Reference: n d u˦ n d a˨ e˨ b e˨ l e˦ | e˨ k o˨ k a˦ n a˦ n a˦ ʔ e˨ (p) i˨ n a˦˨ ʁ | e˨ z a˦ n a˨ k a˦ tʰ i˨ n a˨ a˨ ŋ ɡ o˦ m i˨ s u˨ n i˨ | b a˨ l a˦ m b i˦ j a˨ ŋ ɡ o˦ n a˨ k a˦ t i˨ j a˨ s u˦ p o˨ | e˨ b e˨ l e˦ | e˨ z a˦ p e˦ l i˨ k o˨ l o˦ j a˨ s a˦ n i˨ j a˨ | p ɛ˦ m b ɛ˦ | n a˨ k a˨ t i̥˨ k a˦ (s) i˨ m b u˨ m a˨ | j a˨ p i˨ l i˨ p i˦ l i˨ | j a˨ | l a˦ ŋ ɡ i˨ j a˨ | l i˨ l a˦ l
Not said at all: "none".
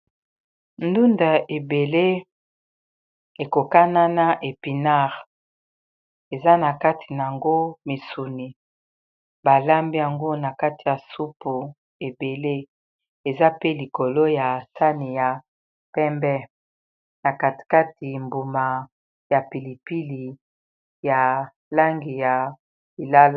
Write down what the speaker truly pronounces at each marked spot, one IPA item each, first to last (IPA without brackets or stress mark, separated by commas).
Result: p, t